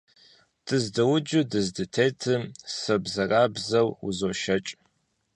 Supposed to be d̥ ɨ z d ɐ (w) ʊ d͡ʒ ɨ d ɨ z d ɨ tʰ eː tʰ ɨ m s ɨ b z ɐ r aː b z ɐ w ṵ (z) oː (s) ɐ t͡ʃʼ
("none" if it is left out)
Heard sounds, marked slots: w, z, ʃ

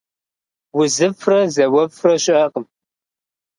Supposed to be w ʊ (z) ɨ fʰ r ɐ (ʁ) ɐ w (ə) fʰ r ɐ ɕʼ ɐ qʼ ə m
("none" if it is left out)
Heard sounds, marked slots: z, z, ɐ

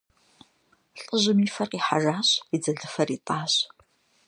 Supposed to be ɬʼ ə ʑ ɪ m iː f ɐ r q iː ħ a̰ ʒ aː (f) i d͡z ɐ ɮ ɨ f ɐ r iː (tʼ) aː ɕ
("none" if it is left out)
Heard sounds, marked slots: ɕ, tʼ

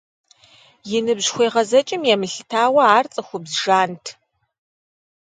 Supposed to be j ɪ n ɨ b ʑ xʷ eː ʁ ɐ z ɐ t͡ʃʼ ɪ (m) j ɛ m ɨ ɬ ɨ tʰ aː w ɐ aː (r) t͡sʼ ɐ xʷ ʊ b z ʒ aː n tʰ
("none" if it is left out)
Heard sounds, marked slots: m, r

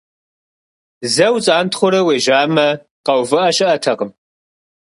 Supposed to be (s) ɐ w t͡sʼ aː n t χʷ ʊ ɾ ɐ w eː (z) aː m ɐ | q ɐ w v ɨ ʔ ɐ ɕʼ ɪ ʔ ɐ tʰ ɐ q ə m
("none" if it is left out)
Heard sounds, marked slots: z, ʒ

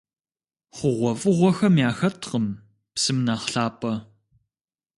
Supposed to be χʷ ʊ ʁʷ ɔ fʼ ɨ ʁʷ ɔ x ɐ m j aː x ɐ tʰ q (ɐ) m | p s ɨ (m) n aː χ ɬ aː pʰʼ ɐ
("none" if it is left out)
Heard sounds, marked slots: ə, m

